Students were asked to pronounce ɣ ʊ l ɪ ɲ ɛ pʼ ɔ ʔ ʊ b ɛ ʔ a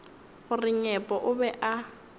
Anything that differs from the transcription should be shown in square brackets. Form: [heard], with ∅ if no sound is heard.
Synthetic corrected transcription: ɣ ʊ [r] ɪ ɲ ɛ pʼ ɔ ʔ ʊ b ɛ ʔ a